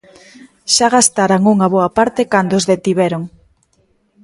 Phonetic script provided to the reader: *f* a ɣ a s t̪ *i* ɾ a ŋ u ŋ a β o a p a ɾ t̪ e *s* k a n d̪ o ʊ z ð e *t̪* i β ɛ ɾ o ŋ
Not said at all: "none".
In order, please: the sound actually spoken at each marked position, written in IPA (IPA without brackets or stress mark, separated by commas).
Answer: ʃ, a, none, t̪